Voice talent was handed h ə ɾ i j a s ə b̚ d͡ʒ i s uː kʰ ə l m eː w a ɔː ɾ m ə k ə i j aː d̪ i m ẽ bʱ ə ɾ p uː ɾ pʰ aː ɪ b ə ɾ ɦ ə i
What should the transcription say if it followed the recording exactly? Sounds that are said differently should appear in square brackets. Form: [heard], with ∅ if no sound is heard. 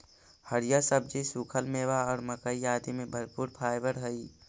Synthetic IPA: h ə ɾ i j a s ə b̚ d͡ʒ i s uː kʰ ə l m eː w a ɔː ɾ m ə k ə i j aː d̪ i m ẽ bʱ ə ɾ p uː ɾ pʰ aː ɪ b ə ɾ ɦ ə i

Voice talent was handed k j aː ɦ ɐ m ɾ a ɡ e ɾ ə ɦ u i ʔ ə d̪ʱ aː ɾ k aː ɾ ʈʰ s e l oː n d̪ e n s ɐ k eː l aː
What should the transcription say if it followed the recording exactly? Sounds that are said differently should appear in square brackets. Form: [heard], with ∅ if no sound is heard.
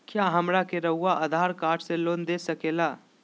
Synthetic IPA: k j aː ɦ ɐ m ɾ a [k] e ɾ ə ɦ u [a] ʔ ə d̪ʱ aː ɾ k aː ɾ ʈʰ s e l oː n d̪ e [∅] s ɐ k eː l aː

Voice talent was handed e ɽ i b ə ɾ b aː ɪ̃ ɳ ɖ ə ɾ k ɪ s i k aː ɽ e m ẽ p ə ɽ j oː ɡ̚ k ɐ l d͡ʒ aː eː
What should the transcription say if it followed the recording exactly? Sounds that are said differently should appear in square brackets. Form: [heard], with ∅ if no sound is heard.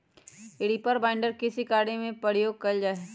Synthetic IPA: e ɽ i [p] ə ɾ b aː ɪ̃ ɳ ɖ ə ɾ k ɪ s i k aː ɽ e m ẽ p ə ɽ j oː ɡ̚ k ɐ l d͡ʒ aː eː

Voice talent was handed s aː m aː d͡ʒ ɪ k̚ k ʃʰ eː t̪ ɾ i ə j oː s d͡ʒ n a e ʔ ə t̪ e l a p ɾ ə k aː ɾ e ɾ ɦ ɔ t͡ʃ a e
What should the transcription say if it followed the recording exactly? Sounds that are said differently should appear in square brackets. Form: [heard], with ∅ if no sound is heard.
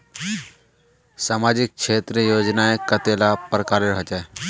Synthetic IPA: s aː m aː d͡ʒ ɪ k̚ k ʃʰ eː t̪ ɾ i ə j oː [∅] d͡ʒ n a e [k] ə t̪ e l a p ɾ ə k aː ɾ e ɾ ɦ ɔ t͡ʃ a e

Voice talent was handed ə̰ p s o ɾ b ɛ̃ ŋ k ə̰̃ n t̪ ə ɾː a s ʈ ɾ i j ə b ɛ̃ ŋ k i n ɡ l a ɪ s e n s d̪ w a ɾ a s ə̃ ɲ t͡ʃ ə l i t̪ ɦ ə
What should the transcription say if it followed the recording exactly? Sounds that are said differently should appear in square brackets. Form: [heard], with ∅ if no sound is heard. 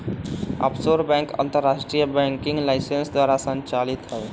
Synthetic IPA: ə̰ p s o ɾ b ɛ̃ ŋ k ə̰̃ n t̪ ə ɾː a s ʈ ɾ i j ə b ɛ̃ ŋ k i [ŋ] ɡ l a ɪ s e n s d̪ w a ɾ a s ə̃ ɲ t͡ʃ [a] l i t̪ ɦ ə

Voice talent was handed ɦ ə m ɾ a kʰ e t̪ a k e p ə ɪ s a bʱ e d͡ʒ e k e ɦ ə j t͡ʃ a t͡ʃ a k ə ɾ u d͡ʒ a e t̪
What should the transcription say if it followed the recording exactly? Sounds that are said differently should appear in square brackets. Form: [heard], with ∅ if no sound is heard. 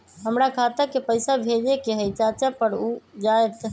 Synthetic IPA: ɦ ə m ɾ a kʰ [a] t̪ [ə] k e p ə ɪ s a bʱ e d͡ʒ e k e ɦ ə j t͡ʃ a t͡ʃ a [p] ə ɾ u d͡ʒ a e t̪

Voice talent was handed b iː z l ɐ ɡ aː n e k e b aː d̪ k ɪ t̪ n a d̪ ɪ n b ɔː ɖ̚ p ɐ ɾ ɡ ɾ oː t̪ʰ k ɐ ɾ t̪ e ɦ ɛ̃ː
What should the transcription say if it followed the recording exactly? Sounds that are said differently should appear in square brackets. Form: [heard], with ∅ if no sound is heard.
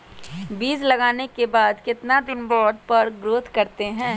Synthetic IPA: b iː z l ɐ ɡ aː n e k e b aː d̪ k ɪ t̪ n a d̪ ɪ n b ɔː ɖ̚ p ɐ ɾ ɡ ɾ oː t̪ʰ k ɐ ɾ t̪ e ɦ ɛ̃ː

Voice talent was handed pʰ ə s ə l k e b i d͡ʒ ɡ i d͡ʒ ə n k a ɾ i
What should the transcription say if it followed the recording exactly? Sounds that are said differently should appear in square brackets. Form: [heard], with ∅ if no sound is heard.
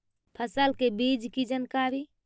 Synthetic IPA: pʰ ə s ə l k e b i d͡ʒ [k] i d͡ʒ ə n k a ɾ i

